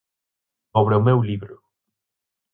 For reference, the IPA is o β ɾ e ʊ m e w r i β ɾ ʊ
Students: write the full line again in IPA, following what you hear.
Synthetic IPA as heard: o β ɾ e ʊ m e w l i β ɾ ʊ

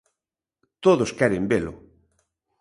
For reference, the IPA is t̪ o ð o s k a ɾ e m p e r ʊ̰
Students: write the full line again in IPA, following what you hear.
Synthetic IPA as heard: t̪ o ð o s k ɛ ɾ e m b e l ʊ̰

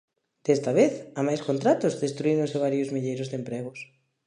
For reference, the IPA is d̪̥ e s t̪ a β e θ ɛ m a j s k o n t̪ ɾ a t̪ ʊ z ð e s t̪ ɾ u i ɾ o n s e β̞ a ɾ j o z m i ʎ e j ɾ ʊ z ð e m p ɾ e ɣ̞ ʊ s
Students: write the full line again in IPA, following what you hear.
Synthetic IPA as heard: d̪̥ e s t̪ a β e θ a m a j s k o n t̪ ɾ a t̪ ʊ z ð e s t̪ ɾ u i ɾ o n s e β̞ a ɾ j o z m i ʎ e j ɾ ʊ z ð e m p ɾ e ɣ̞ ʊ s

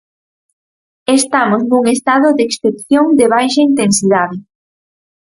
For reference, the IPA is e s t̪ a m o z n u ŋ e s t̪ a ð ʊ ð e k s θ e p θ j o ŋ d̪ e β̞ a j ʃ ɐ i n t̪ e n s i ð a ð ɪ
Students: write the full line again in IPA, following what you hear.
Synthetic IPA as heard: e s t̪ a m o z n u ŋ e s t̪ a ð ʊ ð e k s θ e p θ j o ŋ d̪ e β̞ a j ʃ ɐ i n t̪ e n s i ð a ð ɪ

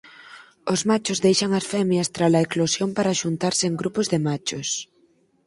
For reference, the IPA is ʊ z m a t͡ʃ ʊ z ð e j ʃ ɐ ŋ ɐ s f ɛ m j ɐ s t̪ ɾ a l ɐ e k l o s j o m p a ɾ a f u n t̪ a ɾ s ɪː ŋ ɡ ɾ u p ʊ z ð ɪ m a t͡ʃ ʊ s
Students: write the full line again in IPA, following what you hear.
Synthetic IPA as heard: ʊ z m a t͡ʃ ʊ z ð e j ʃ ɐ ŋ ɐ s f ɛ m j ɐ s t̪ ɾ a l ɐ e k l o s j o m p a ɾ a ʃ u n t̪ a ɾ s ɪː ŋ ɡ ɾ u p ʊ z ð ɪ m a t͡ʃ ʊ s

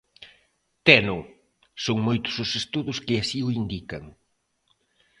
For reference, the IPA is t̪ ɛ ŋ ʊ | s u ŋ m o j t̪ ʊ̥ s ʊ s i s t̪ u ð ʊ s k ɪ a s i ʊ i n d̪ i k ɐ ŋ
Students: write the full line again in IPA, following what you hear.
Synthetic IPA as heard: t̪ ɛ n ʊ | s o ŋ m o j t̪ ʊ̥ s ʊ s e s t̪ u ð ʊ s k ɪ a s i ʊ i n d̪ i k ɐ ŋ

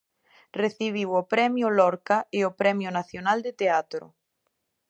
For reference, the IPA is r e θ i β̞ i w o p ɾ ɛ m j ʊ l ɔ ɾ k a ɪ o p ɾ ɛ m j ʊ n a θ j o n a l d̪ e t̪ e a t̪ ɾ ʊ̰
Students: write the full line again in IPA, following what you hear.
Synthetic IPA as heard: r e θ i β̞ i w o p ɾ ɛ m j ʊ l ɔ ɾ k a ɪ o p ɾ ɛ m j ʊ n a θ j o n a l d̪ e t̪ e a t̪ ɾ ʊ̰

